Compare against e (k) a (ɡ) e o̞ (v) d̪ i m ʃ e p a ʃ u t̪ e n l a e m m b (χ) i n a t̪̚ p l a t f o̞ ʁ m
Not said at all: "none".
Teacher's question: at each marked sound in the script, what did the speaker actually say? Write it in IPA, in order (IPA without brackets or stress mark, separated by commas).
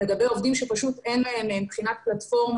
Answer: ɡ, b, v, χ